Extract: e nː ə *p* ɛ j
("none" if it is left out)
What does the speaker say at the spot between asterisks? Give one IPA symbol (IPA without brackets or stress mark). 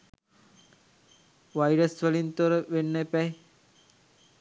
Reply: p